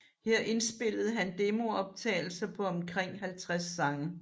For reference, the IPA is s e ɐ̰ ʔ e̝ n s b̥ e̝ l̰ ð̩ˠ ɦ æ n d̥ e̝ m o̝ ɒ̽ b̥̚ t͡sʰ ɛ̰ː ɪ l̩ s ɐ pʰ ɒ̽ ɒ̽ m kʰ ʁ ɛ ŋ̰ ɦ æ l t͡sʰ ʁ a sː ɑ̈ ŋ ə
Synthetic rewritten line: h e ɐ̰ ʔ e̝ n s b̥ e̝ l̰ ð̩ˠ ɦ æ n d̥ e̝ m o̝ ɒ̽ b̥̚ t͡sʰ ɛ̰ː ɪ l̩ s ɐ pʰ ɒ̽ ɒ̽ m kʰ ʁ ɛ ŋ̰ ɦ æ l t͡sʰ ʁ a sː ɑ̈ ŋ ə